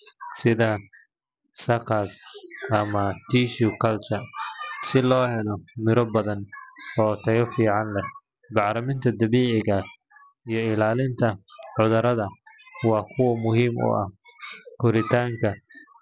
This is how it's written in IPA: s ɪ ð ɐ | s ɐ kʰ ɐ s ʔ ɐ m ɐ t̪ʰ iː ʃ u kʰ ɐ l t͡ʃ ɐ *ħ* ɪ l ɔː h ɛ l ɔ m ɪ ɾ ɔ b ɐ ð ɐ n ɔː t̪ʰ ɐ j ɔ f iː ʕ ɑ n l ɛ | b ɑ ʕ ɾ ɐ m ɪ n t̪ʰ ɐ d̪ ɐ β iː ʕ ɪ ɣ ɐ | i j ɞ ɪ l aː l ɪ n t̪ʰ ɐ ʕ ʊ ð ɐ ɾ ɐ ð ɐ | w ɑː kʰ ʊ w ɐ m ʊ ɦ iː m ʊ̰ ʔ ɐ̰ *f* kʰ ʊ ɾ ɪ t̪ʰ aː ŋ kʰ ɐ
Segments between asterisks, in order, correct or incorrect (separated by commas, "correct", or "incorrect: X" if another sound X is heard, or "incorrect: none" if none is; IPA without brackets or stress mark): incorrect: s, incorrect: h